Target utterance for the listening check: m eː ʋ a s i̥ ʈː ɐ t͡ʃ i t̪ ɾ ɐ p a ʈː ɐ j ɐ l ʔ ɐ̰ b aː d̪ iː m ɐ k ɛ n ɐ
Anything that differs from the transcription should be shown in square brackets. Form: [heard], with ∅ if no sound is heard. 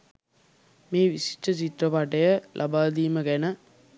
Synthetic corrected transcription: m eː ʋ [i] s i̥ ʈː ɐ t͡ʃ i t̪ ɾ ɐ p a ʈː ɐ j ɐ l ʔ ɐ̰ b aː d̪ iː m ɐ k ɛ n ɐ